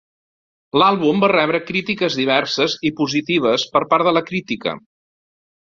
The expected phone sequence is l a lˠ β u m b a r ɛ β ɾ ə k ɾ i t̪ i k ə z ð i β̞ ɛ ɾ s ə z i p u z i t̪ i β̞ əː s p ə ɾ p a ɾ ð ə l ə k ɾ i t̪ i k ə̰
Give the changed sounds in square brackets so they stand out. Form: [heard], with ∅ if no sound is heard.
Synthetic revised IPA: l a lˠ β u m b a r ɛ β ɾ ə k ɾ i t̪ i k ə z ð i β̞ ɛ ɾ s ə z i p u z i t̪ i β̞ [ə] s p ə ɾ p a ɾ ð ə l ə k ɾ i t̪ i k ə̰